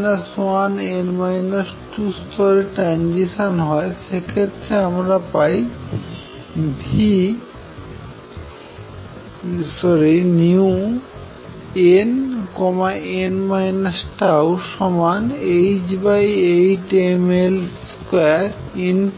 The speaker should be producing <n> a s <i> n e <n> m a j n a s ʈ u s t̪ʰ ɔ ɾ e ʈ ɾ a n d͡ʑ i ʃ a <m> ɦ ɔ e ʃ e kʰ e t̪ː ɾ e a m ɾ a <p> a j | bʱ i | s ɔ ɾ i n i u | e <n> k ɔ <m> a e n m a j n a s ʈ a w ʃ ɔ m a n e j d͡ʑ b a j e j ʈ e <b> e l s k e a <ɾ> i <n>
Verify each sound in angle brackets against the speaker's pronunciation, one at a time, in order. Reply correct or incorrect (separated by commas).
correct, incorrect, correct, incorrect, correct, correct, correct, incorrect, correct, correct